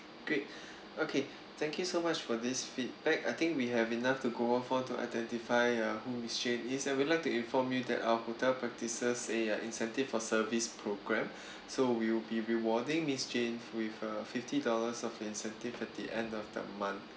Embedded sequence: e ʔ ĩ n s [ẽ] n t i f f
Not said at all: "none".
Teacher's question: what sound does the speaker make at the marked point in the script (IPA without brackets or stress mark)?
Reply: ɛ̃